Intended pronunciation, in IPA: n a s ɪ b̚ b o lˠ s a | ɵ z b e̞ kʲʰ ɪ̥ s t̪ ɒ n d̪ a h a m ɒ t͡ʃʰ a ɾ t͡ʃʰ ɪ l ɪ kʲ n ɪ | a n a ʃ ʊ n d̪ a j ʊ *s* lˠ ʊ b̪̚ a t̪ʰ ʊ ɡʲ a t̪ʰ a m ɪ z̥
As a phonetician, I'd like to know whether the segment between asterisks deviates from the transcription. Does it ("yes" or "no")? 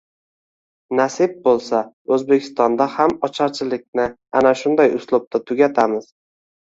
no